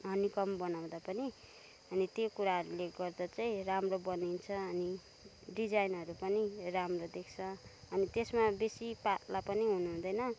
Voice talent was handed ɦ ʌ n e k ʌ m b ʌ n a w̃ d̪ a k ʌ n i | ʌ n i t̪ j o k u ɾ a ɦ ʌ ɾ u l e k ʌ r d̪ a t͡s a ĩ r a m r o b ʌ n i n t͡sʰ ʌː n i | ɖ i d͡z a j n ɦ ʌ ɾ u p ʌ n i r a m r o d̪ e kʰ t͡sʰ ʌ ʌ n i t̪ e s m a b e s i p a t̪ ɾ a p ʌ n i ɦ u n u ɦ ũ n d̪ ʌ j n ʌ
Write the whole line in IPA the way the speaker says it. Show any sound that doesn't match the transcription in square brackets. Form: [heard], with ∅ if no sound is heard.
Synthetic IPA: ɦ ʌ n [i] k ʌ m b ʌ n a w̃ d̪ a [p] ʌ n i | ʌ n i t̪ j o k u ɾ a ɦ ʌ ɾ u l e [ɡ] ʌ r d̪ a t͡s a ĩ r a m r o b ʌ n i n t͡sʰ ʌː n i | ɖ i d͡z a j n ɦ ʌ ɾ u p ʌ n i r a m r o d̪ e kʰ t͡sʰ ʌ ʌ n i t̪ e s m a b e s i p a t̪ [l] a p ʌ n i ɦ u n u ɦ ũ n d̪ ʌ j n ʌ